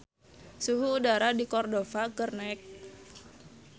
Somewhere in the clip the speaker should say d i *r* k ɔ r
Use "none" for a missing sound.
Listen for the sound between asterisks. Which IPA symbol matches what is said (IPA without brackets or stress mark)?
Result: none